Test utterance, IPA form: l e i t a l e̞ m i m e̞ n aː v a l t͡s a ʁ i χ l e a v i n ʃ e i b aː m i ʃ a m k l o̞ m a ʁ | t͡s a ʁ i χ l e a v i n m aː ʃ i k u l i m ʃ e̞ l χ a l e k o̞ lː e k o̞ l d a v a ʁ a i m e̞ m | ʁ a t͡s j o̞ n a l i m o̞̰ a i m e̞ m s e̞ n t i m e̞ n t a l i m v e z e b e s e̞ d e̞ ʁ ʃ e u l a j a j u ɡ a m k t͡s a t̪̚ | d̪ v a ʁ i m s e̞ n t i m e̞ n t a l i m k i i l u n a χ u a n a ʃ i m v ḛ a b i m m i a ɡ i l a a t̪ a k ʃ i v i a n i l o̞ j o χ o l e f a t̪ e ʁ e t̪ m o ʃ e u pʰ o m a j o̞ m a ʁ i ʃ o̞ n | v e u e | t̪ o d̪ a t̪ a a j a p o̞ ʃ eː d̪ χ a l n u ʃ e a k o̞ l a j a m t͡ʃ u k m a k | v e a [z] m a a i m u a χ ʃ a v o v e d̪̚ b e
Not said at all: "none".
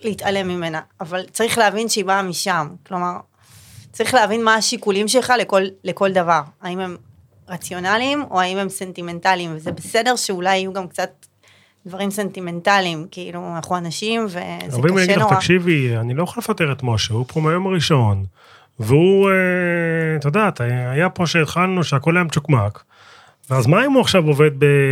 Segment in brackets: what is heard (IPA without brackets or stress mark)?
z